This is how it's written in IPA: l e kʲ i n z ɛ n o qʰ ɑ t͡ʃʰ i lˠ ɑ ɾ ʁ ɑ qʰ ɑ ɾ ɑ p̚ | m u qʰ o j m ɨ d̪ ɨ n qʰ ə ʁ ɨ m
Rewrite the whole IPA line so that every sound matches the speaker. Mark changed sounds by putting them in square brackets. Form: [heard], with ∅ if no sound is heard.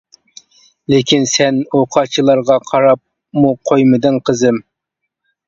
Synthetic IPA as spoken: l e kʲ i n [s] ɛ n o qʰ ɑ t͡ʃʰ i lˠ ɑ ɾ ʁ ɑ qʰ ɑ ɾ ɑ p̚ | m u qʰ o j m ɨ d̪ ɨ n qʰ ə [z] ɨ m